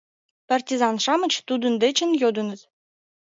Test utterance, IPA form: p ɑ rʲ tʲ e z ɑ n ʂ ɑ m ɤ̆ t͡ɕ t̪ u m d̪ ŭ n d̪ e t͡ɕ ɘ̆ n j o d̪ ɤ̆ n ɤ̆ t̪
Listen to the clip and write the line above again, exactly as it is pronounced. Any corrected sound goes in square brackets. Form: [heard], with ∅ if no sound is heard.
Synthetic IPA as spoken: p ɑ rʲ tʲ [i] z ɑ n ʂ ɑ m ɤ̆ t͡ɕ t̪ u [∅] d̪ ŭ n d̪ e t͡ɕ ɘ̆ n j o d̪ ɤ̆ n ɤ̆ t̪